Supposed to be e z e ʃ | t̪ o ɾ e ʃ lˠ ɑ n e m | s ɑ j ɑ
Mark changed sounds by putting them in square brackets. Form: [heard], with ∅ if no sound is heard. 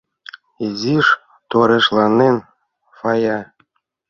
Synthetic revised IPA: e z [i] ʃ | t̪ o ɾ e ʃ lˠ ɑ n e [n] | [f] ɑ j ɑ

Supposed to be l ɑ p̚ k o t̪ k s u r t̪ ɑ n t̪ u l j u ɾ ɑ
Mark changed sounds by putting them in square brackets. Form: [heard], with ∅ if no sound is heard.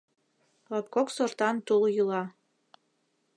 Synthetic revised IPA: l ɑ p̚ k o [∅] k s [o] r t̪ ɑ n t̪ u l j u [l] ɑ

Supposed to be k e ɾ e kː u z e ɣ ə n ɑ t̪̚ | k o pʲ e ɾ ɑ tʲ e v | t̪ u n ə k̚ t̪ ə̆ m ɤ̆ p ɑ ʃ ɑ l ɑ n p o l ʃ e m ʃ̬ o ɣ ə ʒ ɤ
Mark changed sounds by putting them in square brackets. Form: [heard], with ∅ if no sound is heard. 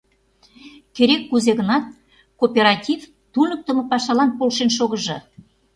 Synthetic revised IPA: k e ɾ e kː u z e ɣ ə n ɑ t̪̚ | k o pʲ e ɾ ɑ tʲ [i] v | t̪ u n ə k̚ t̪ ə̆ m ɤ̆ p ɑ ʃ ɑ l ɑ n p o l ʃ e [n] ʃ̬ o ɣ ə ʒ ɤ

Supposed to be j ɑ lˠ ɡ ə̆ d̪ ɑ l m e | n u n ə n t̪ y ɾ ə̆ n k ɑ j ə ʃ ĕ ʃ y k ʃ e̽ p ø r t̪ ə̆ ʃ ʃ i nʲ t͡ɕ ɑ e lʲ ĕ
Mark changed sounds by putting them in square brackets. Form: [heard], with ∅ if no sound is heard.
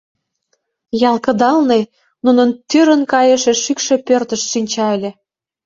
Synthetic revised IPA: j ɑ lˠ [k] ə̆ d̪ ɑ l [n] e | n u n ə n t̪ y ɾ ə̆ n k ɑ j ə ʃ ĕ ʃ y k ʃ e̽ p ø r t̪ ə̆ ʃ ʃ i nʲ t͡ɕ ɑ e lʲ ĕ

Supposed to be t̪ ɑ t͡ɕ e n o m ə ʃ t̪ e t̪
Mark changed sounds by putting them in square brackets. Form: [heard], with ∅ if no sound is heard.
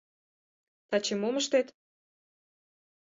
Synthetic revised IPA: t̪ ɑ t͡ɕ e [m] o m ə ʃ t̪ e t̪

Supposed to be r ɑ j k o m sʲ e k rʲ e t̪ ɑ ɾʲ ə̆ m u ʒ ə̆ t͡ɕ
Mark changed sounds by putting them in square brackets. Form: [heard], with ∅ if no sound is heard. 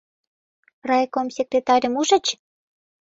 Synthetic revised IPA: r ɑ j k o m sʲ e k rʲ e t̪ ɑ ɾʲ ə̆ m u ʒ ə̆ t͡ɕ

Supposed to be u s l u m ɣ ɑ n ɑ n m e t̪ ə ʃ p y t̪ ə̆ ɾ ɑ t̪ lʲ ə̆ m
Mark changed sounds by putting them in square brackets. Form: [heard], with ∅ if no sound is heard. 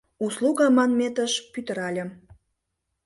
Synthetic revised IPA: u s l u [∅] ɣ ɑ [m] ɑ n m e t̪ ə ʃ p y t̪ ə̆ ɾ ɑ [∅] lʲ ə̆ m

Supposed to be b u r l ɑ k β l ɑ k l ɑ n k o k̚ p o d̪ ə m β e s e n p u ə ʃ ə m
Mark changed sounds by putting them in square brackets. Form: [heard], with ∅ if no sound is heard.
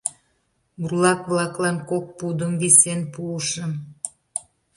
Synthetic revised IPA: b u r l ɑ k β l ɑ k l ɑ n k o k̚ p [u] d̪ ə m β [i] s e n p u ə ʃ ə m

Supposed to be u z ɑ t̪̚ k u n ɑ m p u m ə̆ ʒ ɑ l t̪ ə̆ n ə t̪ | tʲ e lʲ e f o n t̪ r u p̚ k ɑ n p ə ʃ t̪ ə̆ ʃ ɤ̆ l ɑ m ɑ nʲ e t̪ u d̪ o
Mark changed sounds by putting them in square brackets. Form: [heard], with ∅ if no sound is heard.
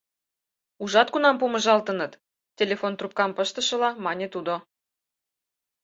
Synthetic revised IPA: u [ʒ] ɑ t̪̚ k u n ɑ m p u m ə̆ ʒ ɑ l t̪ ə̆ n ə t̪ | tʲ e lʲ e f o n t̪ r u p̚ k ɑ [m] p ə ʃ t̪ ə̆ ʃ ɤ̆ l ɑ m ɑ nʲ e t̪ u d̪ o

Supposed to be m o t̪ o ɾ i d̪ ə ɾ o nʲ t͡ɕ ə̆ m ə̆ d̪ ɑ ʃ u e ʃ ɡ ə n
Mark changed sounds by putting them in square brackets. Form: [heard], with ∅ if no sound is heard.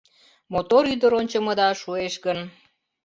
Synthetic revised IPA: m o t̪ o ɾ [y] d̪ ə ɾ o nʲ t͡ɕ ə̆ m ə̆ d̪ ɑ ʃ u e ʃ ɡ ə n

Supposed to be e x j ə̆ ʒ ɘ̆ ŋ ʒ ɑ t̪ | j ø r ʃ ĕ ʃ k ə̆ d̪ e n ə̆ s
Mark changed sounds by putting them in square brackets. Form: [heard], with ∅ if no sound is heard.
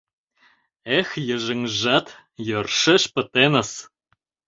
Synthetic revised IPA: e x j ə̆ ʒ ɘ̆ ŋ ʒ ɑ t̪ | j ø r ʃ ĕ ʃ [p] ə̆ [t̪] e n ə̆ s

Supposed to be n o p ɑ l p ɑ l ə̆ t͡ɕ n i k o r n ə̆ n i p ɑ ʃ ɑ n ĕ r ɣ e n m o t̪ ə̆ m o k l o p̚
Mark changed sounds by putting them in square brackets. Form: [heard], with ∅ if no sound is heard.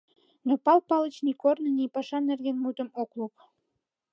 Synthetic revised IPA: n o p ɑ l p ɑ l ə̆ t͡ɕ n i k o r n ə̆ n i p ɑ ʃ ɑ n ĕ r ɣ e n m [u] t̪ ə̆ m o k l [u] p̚

